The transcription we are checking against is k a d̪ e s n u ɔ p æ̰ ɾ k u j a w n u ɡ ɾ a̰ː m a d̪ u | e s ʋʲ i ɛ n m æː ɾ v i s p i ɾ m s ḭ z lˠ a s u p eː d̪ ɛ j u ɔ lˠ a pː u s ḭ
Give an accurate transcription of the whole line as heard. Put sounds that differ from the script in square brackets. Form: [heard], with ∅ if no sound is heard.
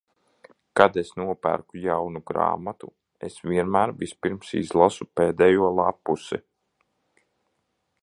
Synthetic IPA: k a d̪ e s n u ɔ p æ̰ ɾ k u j a w n u ɡ ɾ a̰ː m a [t̪] u | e s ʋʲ i ɛ n m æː ɾ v i s p i ɾ m s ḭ z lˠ a s u p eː d̪ ɛ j u ɔ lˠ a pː u s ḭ